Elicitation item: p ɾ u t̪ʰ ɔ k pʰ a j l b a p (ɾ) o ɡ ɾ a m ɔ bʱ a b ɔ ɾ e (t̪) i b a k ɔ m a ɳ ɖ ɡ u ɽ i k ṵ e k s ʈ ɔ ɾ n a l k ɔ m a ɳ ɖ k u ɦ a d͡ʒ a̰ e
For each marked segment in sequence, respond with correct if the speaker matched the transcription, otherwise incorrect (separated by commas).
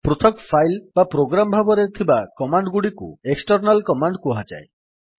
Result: correct, incorrect